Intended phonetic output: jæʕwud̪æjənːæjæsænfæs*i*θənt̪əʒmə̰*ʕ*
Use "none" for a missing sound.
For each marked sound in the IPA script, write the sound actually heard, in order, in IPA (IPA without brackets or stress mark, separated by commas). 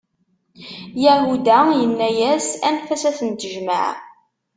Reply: æ, ʕ